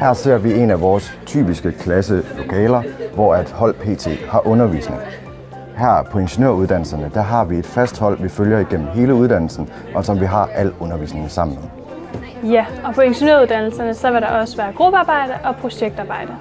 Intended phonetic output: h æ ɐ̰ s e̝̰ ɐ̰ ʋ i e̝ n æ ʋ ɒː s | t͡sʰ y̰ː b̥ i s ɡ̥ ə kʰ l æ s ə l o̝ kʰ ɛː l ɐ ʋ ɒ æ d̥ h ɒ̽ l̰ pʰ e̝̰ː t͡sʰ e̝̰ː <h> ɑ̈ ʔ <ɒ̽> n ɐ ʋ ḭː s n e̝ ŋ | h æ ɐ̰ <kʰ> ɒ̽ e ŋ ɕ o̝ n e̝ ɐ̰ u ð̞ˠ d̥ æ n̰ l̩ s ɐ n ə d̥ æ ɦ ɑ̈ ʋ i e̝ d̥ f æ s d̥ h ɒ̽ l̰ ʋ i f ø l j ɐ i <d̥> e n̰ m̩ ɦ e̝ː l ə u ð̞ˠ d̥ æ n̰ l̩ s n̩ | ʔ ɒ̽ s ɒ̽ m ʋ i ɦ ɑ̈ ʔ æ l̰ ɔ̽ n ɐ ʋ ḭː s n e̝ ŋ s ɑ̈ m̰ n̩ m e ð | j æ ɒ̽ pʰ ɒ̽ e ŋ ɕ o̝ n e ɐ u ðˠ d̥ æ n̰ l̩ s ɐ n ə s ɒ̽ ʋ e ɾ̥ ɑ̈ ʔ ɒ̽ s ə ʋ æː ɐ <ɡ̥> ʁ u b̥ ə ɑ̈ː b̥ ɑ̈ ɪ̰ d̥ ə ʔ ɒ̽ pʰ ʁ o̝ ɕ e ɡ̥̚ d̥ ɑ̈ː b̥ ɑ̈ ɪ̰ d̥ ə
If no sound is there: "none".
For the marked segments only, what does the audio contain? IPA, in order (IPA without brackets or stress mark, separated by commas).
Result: h, ɔ̽, pʰ, ɡ̥, ɡ̥